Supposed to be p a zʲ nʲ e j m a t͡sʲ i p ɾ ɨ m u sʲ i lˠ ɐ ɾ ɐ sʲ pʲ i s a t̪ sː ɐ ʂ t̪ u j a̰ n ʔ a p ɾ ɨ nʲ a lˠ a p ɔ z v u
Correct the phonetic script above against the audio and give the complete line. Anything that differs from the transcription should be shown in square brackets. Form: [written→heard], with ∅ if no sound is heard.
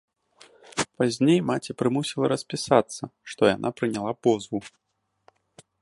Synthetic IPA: p a zʲ nʲ e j m a t͡sʲ i p ɾ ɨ m u sʲ i lˠ ɐ ɾ ɐ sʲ pʲ i s a t̪ sː ɐ ʂ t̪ [u→ɔ] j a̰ n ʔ a p ɾ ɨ nʲ a lˠ a p ɔ z v u